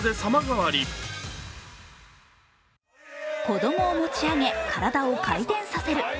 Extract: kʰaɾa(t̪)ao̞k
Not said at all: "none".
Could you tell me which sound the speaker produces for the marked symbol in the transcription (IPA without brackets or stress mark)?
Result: d̪